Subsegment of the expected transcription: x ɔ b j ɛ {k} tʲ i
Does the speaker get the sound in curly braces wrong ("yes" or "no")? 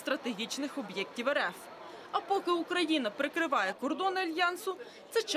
no